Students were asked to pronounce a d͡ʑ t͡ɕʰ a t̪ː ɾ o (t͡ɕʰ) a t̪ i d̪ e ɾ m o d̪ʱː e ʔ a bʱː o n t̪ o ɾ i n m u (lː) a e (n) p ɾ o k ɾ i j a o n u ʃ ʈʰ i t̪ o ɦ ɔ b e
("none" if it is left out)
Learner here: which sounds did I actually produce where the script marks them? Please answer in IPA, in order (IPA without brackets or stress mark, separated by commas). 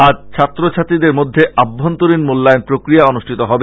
t͡ɕʰ, lː, n